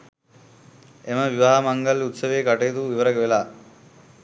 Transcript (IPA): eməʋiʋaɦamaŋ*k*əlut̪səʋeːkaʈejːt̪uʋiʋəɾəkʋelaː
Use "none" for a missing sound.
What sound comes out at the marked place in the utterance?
ɡ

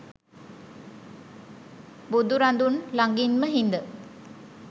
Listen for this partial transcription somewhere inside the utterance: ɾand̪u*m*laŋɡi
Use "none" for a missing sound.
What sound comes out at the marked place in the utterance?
n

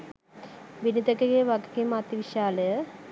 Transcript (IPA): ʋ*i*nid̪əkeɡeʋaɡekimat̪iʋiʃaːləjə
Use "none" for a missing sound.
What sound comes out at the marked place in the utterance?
i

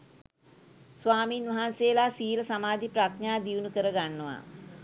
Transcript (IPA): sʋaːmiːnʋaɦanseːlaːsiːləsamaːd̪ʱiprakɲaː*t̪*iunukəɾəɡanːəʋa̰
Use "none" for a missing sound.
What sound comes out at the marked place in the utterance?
d̪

